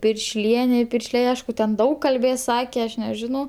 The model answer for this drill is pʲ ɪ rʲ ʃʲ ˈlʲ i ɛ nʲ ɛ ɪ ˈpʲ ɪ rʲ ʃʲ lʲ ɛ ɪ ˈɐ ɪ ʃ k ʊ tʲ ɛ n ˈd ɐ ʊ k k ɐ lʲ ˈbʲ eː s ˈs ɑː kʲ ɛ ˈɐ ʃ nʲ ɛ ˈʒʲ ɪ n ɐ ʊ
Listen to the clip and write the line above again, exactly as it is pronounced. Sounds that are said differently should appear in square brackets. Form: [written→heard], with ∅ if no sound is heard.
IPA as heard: pʲ ɪ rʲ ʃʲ ˈlʲ i ɛ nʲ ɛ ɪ ˈpʲ ɪ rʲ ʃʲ lʲ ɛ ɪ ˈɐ ɪ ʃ k ʊ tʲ ɛ n ˈd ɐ ʊ k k ɐ lʲ ˈbʲ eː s ˈs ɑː kʲ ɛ ˈɐ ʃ nʲ ɛ ˈʒʲ ɪ n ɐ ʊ